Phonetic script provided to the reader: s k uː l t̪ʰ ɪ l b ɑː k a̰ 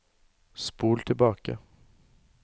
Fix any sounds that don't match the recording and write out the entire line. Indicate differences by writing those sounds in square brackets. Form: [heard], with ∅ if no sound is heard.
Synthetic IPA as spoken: s [p] uː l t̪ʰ ɪ l b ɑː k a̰